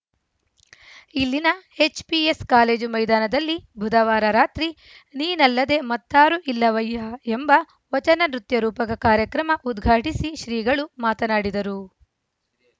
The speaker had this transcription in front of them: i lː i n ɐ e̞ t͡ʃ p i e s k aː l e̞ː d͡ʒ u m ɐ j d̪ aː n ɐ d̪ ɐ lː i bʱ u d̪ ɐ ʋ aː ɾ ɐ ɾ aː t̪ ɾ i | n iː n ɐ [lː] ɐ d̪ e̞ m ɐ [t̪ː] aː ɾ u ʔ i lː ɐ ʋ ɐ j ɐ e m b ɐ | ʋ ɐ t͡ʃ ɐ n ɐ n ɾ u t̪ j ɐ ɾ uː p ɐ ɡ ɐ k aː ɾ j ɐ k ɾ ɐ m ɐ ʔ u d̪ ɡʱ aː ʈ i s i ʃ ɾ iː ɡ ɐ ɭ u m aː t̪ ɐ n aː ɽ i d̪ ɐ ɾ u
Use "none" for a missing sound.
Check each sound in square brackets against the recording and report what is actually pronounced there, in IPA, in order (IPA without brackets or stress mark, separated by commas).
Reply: lː, t̪ː